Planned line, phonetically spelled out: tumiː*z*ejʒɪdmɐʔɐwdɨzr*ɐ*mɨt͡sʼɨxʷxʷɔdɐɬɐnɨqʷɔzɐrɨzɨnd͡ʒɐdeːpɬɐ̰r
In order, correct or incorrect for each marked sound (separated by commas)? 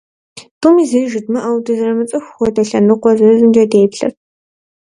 correct, correct